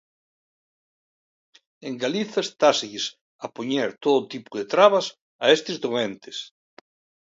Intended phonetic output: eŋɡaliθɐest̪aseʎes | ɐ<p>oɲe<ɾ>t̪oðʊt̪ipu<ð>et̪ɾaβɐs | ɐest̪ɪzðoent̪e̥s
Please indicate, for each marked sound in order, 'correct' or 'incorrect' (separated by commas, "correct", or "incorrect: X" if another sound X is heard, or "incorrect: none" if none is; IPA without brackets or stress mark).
correct, correct, correct